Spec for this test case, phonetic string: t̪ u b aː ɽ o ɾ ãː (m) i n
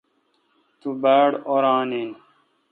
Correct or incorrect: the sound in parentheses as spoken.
incorrect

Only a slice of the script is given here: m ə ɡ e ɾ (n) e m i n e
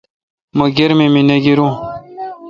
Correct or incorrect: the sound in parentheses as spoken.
incorrect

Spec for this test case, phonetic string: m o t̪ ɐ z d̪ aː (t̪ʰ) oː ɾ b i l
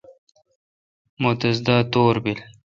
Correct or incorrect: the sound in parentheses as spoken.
incorrect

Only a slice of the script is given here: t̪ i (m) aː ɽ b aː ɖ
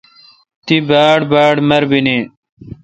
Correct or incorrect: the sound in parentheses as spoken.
incorrect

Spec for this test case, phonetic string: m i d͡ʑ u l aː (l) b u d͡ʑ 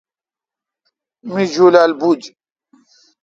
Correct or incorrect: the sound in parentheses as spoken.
correct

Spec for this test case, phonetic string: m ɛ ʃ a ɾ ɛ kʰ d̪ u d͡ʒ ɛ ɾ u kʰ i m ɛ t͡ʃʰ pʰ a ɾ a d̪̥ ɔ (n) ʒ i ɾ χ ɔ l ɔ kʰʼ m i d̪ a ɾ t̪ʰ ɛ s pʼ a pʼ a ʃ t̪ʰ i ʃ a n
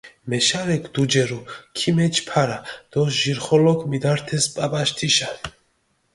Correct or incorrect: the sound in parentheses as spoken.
incorrect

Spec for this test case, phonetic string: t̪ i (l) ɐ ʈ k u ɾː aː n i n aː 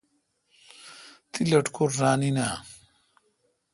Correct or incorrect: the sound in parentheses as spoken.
correct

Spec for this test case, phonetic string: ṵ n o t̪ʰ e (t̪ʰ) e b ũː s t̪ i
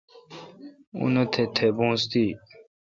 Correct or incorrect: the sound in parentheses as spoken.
correct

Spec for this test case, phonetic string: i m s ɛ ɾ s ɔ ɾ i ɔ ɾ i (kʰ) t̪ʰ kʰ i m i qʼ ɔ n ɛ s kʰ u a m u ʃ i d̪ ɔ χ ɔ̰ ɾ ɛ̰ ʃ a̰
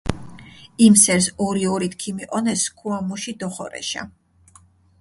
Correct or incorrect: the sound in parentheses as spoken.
incorrect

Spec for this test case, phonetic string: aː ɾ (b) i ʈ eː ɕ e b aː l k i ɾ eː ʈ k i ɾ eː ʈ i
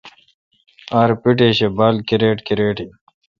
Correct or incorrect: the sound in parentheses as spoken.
incorrect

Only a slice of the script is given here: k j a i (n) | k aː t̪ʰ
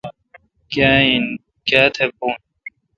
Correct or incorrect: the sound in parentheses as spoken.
correct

